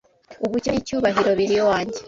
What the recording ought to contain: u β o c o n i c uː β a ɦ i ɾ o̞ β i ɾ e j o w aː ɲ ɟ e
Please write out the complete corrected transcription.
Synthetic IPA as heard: u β u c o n i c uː β a ɦ i ɾ o̞ β i ɾ i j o w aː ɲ ɟ e